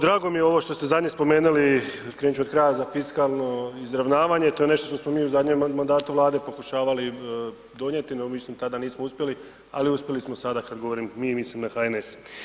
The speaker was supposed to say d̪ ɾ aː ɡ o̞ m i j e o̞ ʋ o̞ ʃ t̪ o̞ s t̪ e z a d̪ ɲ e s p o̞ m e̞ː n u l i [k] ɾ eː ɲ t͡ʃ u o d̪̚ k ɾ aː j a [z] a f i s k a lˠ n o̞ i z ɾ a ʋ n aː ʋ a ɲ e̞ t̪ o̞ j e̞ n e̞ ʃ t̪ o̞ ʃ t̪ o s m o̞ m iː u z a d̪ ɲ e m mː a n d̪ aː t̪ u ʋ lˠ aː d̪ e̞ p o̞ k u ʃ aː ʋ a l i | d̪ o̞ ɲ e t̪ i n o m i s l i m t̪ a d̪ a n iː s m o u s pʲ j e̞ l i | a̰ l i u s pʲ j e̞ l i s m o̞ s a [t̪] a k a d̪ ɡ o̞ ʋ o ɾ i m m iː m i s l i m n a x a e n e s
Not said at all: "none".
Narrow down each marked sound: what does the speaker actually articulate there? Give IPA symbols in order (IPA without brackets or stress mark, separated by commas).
k, z, d̪